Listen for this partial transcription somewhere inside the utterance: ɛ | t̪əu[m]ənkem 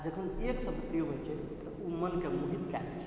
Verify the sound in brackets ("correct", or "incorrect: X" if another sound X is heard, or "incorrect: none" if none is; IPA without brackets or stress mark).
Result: correct